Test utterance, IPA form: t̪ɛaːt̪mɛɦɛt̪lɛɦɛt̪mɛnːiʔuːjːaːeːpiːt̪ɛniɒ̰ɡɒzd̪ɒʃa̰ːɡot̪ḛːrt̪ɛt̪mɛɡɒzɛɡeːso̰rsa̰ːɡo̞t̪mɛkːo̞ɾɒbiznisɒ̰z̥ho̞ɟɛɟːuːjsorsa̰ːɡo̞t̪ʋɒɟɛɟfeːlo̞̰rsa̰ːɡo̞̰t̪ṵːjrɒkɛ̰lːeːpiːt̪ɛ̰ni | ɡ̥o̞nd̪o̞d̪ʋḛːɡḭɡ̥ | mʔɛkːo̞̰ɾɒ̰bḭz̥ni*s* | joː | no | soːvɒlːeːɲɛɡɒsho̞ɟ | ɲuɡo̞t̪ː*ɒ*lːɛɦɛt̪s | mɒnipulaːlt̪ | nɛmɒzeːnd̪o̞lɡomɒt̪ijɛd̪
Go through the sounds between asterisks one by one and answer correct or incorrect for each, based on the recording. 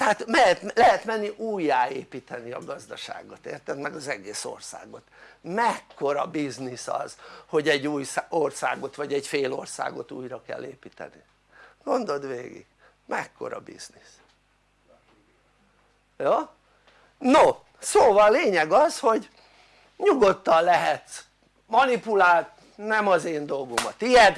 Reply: correct, correct

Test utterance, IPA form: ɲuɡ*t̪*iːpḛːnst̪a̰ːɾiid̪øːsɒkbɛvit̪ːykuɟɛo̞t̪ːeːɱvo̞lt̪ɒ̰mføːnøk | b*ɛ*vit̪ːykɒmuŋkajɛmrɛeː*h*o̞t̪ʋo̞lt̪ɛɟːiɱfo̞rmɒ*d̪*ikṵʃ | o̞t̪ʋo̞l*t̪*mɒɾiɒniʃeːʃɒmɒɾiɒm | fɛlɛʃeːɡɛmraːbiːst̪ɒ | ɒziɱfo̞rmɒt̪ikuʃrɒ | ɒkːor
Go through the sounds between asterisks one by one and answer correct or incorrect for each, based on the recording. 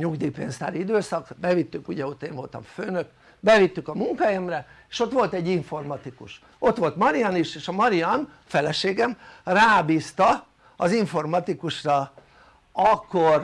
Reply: incorrect, correct, incorrect, incorrect, correct

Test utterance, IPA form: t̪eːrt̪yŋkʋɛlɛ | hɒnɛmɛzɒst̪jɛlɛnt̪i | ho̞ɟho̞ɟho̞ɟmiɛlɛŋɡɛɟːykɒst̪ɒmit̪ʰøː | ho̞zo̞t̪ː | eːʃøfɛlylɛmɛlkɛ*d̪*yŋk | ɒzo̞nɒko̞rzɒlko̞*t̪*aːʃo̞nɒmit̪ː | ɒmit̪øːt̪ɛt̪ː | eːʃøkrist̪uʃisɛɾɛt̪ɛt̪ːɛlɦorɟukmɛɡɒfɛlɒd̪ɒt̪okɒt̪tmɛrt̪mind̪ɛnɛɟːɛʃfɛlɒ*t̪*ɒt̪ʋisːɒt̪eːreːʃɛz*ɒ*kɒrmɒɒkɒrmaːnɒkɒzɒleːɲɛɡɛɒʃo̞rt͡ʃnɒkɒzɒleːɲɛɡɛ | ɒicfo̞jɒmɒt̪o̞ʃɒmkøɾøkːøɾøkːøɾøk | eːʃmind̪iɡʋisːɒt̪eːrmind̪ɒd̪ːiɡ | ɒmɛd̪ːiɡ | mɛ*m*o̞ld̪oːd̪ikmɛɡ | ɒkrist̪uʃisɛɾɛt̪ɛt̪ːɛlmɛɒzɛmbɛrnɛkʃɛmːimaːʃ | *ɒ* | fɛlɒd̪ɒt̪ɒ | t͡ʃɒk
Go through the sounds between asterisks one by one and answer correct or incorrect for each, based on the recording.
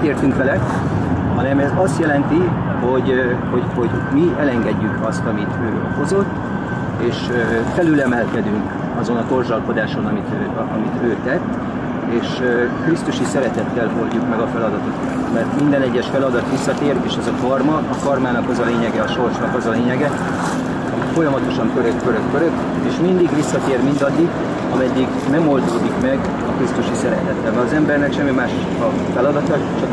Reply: correct, incorrect, incorrect, correct, correct, correct

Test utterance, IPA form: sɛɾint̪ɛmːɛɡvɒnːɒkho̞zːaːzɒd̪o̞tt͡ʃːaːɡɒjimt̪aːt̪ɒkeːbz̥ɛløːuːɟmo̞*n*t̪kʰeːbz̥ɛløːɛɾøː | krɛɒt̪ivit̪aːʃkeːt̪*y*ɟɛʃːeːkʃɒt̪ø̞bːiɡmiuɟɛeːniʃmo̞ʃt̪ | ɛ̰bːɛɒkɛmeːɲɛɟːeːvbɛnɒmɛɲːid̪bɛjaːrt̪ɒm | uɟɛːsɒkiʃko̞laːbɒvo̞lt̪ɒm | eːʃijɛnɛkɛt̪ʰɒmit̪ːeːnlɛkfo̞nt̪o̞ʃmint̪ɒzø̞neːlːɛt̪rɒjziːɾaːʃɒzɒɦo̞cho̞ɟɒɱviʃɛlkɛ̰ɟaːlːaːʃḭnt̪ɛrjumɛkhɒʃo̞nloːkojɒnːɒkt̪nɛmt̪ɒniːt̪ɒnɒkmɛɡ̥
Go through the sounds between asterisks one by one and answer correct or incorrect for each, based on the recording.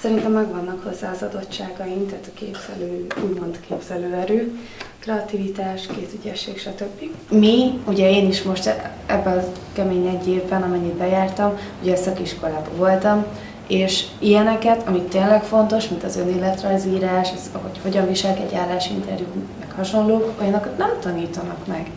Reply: correct, correct

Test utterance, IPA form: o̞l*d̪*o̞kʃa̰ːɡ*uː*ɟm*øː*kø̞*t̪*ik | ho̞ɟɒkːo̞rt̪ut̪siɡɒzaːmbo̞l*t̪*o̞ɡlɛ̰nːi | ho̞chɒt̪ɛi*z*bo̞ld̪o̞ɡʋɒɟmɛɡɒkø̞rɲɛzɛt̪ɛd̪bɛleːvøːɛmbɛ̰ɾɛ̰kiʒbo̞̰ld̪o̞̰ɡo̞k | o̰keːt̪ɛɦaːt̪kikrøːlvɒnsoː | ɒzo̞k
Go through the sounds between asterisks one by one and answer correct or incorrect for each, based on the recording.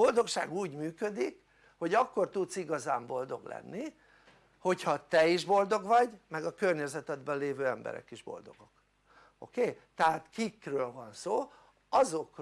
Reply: correct, correct, incorrect, incorrect, incorrect, incorrect

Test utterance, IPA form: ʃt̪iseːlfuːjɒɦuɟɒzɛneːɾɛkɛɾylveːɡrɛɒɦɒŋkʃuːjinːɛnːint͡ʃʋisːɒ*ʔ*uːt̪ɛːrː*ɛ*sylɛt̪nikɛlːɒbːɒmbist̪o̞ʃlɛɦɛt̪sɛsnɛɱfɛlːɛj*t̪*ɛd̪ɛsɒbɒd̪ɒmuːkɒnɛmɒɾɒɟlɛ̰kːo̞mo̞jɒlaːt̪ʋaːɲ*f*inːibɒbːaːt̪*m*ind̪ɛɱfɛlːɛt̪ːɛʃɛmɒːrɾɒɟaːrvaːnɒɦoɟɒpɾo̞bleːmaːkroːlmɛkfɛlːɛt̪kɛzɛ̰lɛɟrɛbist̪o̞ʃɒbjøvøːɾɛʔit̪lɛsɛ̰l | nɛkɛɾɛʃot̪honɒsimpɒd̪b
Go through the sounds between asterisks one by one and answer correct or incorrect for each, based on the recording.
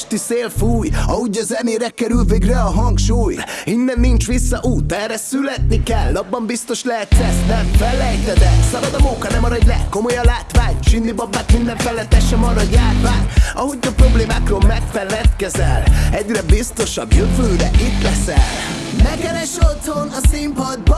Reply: correct, correct, correct, incorrect, correct

